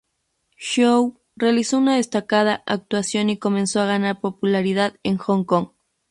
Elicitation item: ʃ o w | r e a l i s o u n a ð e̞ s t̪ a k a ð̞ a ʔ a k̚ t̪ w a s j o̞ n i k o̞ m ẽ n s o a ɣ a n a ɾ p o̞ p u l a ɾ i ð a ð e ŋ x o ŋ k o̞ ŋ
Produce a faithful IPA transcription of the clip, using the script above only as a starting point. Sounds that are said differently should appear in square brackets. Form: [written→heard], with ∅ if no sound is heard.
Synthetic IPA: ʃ o w | r e a l i s o u n a ð e̞ s t̪ a k a ð̞ a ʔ a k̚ t̪ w a s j o̞ n i k o̞ m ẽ n s o a ɣ a n a ɾ p o̞ p u l a ɾ i ð a ð e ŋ x o ŋ k o̞ ŋ